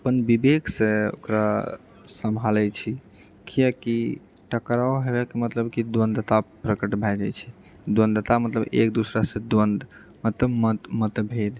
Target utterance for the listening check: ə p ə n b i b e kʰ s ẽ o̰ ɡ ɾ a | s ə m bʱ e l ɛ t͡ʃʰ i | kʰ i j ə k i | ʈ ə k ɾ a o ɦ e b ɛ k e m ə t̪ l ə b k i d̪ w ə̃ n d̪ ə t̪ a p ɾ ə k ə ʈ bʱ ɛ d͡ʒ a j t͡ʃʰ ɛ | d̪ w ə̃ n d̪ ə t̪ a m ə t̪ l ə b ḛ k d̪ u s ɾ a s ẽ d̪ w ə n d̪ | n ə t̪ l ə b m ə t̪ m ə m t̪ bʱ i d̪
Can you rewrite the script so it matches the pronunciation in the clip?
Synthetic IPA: ə p ə n b i b e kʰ s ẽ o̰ k ɾ a | s ə m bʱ a l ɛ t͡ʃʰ i | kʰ i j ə k i | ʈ ə k ɾ a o ɦ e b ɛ k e m ə t̪ l ə b k i d̪ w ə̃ n d̪ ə t̪ a p ɾ ə k ə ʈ bʱ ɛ d͡ʒ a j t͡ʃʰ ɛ | d̪ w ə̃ n d̪ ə t̪ a m ə t̪ l ə b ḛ k d̪ u s ɾ a s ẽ d̪ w ə n d̪ | m ə t̪ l ə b m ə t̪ m ə t̪ bʱ e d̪